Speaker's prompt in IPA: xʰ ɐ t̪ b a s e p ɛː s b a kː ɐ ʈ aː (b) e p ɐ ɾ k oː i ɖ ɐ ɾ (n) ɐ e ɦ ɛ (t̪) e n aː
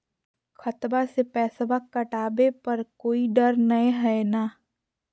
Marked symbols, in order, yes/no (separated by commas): yes, yes, no